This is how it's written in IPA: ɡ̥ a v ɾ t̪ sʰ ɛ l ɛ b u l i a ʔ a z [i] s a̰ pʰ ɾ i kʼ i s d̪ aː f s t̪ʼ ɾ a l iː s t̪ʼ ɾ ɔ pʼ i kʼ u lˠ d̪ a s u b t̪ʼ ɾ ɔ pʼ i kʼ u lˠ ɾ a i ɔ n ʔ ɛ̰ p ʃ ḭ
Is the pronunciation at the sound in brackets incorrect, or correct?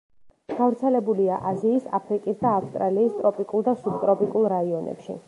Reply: incorrect